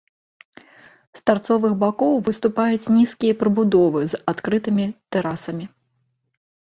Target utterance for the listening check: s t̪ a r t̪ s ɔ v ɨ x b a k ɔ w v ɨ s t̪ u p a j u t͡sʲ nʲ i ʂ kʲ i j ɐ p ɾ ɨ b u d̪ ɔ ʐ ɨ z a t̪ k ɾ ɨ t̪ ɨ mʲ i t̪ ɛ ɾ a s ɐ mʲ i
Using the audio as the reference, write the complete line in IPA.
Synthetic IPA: s t̪ a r t̪ s ɔ v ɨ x b a k ɔ w v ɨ s t̪ u p a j u t͡sʲ nʲ i s kʲ i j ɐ p ɾ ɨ b u d̪ ɔ v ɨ z a t̪ k ɾ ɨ t̪ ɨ mʲ i t̪ ɛ ɾ a s ɐ mʲ i